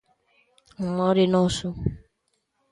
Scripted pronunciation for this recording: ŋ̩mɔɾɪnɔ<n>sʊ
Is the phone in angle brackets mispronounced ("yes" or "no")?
yes